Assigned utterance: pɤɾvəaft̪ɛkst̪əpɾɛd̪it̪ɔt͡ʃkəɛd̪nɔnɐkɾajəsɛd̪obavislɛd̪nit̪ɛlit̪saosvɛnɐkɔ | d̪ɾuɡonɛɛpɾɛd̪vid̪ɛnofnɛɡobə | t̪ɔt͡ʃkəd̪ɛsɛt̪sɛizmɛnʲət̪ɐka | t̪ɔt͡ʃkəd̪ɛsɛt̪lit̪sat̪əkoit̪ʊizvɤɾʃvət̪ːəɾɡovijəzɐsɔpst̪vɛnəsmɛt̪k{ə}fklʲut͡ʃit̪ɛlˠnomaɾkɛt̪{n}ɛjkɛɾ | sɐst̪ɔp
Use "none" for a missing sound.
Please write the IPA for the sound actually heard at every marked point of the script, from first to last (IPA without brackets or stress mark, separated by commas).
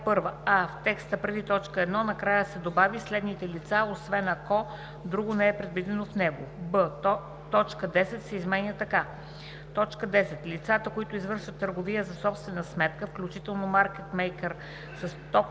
ə, m